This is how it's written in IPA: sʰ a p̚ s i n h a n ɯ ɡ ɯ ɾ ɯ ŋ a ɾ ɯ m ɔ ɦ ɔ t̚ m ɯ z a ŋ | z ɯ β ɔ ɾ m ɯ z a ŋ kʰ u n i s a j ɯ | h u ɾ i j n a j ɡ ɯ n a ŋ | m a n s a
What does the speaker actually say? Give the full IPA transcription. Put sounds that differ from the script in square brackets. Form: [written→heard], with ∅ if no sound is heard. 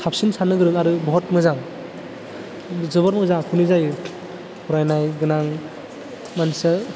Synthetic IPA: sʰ a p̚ s i n [h→s] a n ɯ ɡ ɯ ɾ ɯ ŋ a ɾ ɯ [m→b] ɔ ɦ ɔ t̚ m ɯ z a ŋ | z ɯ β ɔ ɾ m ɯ z a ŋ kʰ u n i [s→z] a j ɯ | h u ɾ [i→a] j n a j ɡ ɯ n a ŋ | m a n s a